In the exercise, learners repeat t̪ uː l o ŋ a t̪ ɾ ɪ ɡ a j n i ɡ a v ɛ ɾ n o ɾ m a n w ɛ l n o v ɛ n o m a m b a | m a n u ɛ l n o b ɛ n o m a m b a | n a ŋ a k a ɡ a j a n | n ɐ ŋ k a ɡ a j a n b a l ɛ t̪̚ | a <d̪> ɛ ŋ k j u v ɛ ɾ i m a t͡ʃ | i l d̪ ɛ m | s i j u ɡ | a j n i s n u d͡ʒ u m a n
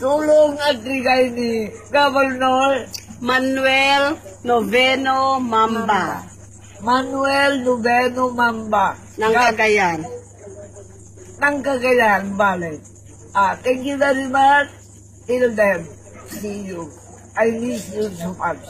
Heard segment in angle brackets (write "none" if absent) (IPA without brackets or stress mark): t̪